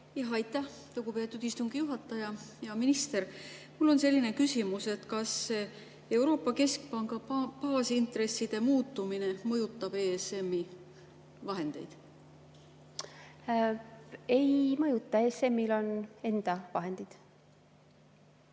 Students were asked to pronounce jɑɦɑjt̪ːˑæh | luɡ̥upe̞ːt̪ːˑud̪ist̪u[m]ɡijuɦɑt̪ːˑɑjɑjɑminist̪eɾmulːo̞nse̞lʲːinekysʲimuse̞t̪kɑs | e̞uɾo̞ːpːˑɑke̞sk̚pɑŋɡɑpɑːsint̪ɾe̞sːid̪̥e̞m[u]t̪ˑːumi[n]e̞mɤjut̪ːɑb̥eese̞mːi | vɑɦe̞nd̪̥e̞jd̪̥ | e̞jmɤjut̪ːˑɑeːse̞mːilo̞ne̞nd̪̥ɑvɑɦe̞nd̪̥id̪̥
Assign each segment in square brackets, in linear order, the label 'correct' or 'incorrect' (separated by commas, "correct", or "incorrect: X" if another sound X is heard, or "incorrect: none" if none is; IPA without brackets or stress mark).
incorrect: ŋ, incorrect: uː, correct